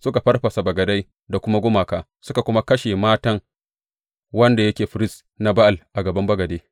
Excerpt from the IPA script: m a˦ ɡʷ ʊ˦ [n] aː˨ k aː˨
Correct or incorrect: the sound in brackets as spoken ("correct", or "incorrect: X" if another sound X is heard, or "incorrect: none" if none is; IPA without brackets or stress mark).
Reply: incorrect: m